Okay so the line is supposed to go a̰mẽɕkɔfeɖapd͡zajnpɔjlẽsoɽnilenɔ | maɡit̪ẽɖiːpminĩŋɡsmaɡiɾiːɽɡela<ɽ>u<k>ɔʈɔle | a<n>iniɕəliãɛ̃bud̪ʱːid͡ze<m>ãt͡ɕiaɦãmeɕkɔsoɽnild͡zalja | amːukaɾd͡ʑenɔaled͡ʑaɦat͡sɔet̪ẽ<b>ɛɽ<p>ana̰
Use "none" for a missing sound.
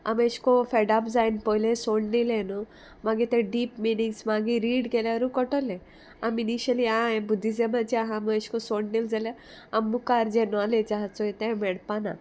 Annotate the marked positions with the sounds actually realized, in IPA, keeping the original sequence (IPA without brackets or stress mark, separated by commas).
ɾ, k, m, m, m, p